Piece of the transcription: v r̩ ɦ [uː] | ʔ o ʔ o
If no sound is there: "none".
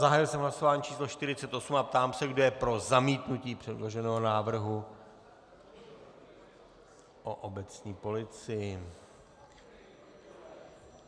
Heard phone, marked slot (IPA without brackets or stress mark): u